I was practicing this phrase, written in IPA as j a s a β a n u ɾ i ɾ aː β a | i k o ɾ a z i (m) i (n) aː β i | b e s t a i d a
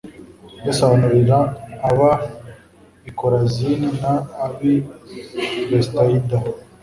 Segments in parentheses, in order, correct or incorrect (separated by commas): incorrect, correct